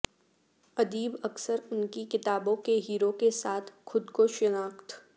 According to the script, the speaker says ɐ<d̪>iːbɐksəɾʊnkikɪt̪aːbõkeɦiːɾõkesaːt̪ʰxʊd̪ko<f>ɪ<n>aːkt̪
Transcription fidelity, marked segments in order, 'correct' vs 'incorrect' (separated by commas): correct, incorrect, correct